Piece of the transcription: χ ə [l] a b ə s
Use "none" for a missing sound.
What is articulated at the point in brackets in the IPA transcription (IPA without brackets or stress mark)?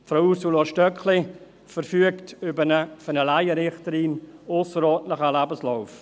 l